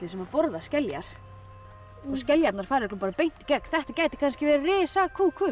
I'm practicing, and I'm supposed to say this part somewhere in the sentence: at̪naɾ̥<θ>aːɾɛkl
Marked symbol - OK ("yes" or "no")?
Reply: no